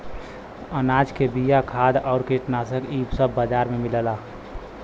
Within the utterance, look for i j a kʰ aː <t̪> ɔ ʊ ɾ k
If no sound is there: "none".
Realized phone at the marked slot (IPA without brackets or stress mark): d̪